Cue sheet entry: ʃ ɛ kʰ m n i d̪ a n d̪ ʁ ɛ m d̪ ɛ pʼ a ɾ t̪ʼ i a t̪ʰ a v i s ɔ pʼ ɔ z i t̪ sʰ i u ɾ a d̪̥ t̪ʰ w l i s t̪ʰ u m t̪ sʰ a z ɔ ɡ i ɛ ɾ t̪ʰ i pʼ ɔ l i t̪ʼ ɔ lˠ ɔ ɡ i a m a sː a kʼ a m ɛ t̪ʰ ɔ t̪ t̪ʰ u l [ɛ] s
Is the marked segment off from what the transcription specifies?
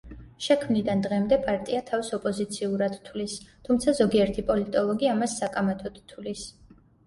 yes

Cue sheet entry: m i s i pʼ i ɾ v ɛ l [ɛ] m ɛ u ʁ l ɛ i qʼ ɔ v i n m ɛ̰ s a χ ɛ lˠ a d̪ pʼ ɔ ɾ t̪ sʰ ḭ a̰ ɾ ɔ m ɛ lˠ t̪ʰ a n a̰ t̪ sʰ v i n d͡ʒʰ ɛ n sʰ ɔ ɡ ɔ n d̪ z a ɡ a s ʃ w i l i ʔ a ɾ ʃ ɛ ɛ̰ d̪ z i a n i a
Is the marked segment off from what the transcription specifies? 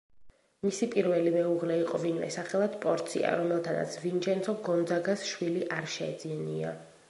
yes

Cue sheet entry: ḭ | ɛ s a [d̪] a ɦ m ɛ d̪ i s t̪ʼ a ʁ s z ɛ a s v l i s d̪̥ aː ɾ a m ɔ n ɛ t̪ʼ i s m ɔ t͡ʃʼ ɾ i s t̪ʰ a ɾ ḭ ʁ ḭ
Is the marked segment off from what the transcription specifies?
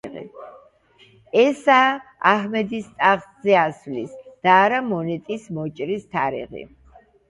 yes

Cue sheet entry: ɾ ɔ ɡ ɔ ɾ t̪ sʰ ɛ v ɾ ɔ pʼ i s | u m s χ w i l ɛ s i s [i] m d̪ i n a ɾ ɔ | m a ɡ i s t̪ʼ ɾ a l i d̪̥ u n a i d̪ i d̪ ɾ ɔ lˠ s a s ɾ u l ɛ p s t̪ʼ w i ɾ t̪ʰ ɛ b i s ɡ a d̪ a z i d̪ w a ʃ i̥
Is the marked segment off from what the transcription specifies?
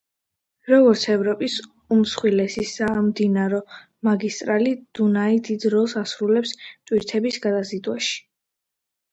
yes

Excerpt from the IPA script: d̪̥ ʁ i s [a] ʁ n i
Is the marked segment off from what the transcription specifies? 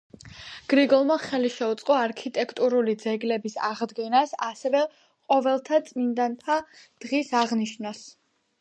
no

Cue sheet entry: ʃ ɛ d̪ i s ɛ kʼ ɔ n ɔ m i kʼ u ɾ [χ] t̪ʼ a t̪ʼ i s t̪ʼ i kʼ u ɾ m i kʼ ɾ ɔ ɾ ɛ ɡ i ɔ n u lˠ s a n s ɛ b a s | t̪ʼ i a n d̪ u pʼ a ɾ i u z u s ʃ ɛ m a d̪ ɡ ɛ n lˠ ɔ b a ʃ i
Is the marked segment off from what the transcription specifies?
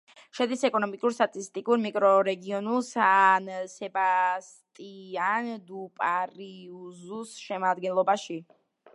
yes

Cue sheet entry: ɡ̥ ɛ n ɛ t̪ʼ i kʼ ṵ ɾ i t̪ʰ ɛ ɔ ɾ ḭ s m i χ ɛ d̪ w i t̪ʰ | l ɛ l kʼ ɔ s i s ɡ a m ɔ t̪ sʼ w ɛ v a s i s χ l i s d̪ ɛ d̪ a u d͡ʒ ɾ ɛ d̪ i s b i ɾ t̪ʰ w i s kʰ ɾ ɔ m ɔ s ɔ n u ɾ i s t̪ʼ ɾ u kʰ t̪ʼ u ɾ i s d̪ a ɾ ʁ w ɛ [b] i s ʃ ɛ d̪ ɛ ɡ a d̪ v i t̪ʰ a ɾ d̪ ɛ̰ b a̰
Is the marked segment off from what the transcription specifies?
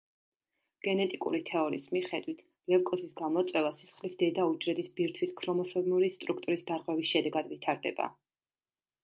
yes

